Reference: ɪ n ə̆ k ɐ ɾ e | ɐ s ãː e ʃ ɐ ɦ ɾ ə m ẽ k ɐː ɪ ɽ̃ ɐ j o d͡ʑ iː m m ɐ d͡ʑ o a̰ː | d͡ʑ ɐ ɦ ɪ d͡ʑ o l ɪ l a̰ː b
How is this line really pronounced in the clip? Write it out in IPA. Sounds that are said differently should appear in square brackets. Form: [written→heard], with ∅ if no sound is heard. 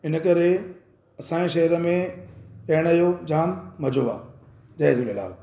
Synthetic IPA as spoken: ɪ n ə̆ k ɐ ɾ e | ɐ s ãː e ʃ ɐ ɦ ɾ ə m ẽ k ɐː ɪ ɽ̃ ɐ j o d͡ʑ [iː→aː] m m ɐ d͡ʑ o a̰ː | d͡ʑ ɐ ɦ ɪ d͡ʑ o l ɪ l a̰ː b